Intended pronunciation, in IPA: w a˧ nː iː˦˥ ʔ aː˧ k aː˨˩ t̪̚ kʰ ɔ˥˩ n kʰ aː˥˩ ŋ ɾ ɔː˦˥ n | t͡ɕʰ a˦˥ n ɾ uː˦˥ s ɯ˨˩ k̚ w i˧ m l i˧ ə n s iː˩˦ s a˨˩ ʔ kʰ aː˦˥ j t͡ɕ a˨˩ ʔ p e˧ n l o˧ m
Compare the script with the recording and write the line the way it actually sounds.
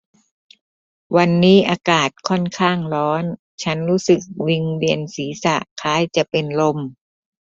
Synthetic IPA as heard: w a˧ nː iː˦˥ ʔ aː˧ k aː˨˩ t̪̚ kʰ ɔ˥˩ n kʰ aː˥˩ ŋ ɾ ɔː˦˥ n | t͡ɕʰ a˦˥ n ɾ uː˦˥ s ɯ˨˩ k̚ w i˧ ŋ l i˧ ə n s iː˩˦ s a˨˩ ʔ kʰ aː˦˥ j t͡ɕ a˨˩ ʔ p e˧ n l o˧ m